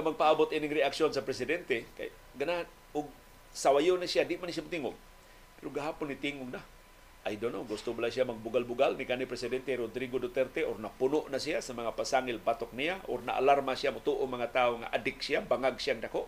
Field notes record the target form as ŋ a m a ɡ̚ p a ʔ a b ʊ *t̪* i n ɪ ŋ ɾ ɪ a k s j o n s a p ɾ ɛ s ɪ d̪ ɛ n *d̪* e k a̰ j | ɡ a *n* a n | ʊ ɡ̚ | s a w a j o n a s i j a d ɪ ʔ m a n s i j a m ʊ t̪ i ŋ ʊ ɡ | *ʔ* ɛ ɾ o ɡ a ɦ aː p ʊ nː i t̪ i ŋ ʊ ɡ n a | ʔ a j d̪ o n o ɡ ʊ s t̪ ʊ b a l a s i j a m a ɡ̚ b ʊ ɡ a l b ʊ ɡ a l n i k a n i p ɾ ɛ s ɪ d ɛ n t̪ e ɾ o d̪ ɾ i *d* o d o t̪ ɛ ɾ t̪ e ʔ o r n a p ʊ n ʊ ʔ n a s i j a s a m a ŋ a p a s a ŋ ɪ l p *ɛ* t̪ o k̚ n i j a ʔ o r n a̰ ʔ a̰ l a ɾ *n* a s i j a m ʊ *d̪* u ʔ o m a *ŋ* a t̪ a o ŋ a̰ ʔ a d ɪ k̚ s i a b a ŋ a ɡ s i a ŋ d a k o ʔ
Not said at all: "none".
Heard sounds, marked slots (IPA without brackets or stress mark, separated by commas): t̪, t̪, n, p, ɡ, a, m, t̪, ŋ